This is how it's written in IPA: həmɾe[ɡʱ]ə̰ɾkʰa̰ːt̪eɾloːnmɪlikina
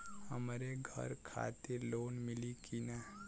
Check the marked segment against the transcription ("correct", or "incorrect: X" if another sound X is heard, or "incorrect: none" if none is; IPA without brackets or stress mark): correct